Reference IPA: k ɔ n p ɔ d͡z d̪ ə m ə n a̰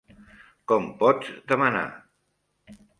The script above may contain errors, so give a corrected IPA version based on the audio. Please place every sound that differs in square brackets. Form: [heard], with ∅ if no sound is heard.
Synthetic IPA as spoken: k ɔ [m] p ɔ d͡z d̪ ə m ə n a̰